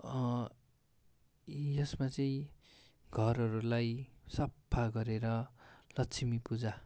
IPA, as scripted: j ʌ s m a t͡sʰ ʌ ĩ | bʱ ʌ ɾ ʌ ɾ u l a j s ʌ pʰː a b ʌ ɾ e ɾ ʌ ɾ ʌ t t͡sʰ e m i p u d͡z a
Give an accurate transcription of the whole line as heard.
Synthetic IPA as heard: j ʌ s m a t͡s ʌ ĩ | ɡʱ ʌ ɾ ʌ ɾ u l a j s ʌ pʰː a ɡ ʌ ɾ e ɾ ʌ l ʌ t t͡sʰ i m i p u d͡z a

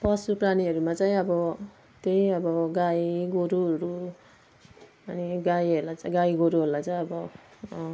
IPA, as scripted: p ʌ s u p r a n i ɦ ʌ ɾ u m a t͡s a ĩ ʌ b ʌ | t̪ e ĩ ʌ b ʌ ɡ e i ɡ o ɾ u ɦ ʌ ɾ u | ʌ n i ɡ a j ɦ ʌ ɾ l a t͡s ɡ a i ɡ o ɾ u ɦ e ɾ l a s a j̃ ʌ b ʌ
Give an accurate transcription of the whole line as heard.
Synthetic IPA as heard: p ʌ s u p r a n i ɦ ʌ ɾ u m a t͡s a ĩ ʌ b ʌ | t̪ e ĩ ʌ b ʌ ɡ a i ɡ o ɾ u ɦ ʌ ɾ u | ʌ n i ɡ a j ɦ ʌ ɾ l a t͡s ɡ a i ɡ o ɾ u ɦ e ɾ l a t͡s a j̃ ʌ b ʌ

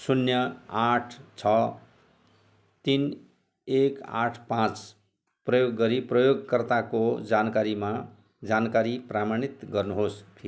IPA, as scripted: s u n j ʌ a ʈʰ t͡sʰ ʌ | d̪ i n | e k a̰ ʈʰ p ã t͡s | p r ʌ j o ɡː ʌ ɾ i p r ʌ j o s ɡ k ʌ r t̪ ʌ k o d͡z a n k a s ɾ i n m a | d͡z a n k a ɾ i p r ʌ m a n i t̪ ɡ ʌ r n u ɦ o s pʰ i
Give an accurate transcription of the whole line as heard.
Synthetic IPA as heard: s u n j ʌ a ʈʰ t͡sʰ ʌ | t̪ i n | e k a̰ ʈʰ p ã t͡s | p r ʌ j o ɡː ʌ ɾ i p r ʌ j o ɡ k ʌ r t̪ a k o d͡z a n k a ɾ i m a | d͡z a n k a ɾ i p r a m a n i t̪ ɡ ʌ r n u ɦ o s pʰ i

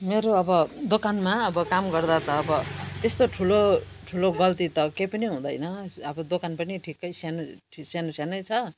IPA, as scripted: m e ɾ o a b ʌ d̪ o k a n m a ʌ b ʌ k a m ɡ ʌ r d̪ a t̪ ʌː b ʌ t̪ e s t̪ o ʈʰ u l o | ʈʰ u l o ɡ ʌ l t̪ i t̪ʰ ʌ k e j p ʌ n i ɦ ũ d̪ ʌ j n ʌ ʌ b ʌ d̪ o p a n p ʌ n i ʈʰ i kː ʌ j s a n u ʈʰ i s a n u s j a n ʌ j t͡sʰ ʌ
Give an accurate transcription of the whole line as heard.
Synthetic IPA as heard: m e ɾ o ʌ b ʌ d̪ o k a n m a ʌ b ʌ k a m ɡ ʌ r d̪ a t̪ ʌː b ʌ t̪ e s t̪ o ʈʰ u l o | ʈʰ u l o ɡ ʌ l t̪ i t̪ ʌ k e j p ʌ n i ɦ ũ d̪ ʌ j n ʌ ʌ b ʌ d̪ o k a n p ʌ n i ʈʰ i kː ʌ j s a n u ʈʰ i s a n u s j a n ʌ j t͡sʰ ʌ

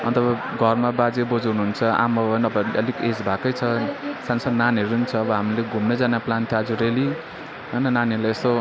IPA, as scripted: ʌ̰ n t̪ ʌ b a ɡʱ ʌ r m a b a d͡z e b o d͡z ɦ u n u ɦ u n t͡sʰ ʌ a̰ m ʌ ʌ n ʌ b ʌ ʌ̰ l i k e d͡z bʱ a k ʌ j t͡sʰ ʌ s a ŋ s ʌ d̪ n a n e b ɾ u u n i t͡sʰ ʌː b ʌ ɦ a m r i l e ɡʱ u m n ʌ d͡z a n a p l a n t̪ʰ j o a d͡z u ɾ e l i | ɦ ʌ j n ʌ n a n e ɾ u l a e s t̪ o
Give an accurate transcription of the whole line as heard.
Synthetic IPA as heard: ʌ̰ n t̪ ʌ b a ɡʱ ʌ r m a b a d͡z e b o d͡z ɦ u n u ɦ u n t͡sʰ ʌ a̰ m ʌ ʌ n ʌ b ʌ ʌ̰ l i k e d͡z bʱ a k ʌ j t͡sʰ ʌ s a n s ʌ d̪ n a n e ɾ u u n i t͡sʰ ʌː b ʌ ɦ a m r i l e ɡʱ u m n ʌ d͡z a n a p l a n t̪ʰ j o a d͡z u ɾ e l i | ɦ ʌ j n ʌ n a n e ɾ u l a e s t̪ o

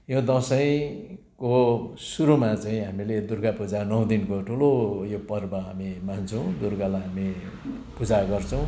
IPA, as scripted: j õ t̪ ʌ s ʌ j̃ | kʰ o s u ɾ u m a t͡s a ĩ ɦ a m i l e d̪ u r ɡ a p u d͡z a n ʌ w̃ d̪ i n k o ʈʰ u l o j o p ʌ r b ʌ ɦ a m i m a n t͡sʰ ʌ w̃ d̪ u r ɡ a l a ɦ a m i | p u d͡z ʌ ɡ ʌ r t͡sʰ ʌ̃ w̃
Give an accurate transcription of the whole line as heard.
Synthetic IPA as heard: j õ d̪ ʌ s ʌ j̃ | k o s u ɾ u m a t͡s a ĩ ɦ a m i l e d̪ u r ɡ a p u d͡z a n ʌ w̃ d̪ i n k o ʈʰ u l o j o p ʌ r b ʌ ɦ a m i m a n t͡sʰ ʌ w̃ d̪ u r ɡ a l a ɦ a m i | p u d͡z a ɡ ʌ r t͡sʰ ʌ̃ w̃

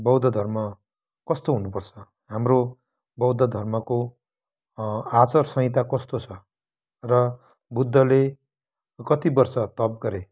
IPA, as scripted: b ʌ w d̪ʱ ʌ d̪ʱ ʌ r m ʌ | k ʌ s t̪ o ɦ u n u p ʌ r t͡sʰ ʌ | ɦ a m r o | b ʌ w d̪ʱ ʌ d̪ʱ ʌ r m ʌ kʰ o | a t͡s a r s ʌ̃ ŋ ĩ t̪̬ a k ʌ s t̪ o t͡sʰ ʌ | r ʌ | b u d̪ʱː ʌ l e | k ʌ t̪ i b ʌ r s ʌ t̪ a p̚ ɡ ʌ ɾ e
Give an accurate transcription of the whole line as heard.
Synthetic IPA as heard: b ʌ w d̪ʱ ʌ d̪ʱ ʌ r m ʌ | k ʌ s t̪ o ɦ u n u p ʌ r t͡sʰ ʌ | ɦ a m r o | b ʌ w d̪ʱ ʌ d̪ʱ ʌ r m ʌ k o | a t͡s ʌ r s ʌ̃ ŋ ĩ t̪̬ a k ʌ s t̪ o t͡sʰ ʌ | r ʌ | b u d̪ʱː ʌ l e | k ʌ t̪ i b ʌ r s ʌ t̪ ʌ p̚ ɡ ʌ ɾ e

